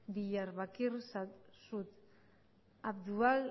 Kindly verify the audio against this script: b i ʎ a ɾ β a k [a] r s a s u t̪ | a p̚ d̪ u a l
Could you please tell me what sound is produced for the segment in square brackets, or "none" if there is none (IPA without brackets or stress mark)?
i